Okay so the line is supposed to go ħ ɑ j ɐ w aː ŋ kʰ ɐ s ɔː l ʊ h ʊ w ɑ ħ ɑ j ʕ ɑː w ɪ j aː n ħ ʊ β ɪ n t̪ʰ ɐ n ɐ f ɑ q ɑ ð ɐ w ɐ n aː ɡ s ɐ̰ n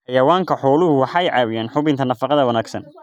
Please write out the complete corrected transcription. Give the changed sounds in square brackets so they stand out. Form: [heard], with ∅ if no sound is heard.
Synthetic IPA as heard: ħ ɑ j ɐ w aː ŋ kʰ ɐ [ħ] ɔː l ʊ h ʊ w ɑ ħ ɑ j ʕ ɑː w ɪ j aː n ħ ʊ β ɪ n t̪ʰ ɐ n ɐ f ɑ q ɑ ð ɐ w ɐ n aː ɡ s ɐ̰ n